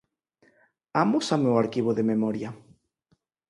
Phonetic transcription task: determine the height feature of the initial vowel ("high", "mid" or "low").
low